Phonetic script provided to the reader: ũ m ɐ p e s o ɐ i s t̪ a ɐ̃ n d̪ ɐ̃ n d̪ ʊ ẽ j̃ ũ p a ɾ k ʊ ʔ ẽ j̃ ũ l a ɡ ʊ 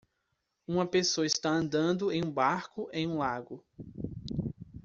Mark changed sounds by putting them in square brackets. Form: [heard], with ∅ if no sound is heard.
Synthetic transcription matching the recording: ũ m ɐ p e s o ɐ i s t̪ a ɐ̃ n d̪ ɐ̃ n d̪ ʊ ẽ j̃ ũ [b] a ɾ k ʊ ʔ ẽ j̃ ũ l a ɡ ʊ